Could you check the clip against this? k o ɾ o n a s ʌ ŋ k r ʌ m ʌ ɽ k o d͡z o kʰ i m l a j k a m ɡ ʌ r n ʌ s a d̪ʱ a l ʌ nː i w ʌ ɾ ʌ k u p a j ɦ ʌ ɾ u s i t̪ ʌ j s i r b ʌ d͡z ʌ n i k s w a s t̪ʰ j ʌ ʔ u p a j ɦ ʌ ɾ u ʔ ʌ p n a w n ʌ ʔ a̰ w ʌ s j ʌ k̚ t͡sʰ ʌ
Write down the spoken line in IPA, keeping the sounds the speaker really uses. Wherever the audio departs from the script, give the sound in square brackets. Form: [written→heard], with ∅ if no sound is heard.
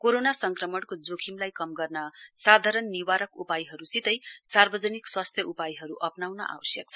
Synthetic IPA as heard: k o ɾ o n a s ʌ ŋ k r ʌ m ʌ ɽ k o d͡z o kʰ i m l a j k [a→ʌ] m ɡ ʌ r n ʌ s a d̪ʱ a [l→ɾ] ʌ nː i w [ʌ→a] ɾ ʌ k u p a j ɦ ʌ ɾ u s i t̪ ʌ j s [i→a] r b ʌ d͡z ʌ n i k s w a s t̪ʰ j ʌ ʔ u p a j ɦ ʌ ɾ u ʔ ʌ p n a w n ʌ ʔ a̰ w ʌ s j ʌ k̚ t͡sʰ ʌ